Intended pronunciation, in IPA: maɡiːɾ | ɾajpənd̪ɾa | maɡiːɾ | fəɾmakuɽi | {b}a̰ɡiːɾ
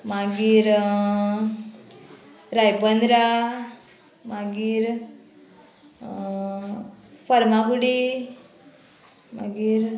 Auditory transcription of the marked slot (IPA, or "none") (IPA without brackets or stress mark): m